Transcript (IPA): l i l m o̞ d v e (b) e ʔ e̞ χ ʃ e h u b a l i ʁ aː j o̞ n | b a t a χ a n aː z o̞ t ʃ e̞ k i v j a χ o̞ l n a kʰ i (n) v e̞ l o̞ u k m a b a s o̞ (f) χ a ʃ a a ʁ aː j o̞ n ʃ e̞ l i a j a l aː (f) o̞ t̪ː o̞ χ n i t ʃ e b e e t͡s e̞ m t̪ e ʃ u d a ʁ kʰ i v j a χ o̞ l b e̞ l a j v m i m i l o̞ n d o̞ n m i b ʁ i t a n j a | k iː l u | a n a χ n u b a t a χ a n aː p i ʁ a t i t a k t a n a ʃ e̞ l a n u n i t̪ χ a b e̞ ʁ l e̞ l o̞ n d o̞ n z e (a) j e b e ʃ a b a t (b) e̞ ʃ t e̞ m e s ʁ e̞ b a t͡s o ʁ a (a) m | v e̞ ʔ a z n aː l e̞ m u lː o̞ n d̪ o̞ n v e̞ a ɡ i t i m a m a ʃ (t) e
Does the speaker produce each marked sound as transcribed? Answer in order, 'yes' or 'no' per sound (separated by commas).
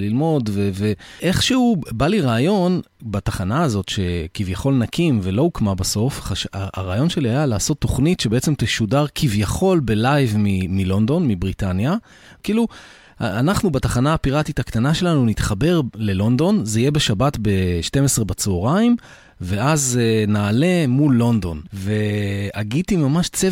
no, no, yes, no, no, yes, no, no